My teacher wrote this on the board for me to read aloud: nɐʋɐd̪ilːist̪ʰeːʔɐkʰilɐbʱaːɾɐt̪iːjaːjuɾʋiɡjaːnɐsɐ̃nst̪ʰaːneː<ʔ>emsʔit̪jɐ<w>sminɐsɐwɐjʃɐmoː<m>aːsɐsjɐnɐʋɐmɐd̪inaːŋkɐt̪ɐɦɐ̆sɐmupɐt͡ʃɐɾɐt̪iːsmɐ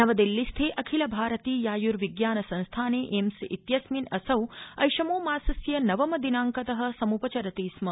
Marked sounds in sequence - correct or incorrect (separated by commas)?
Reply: correct, incorrect, correct